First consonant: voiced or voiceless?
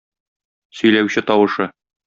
voiceless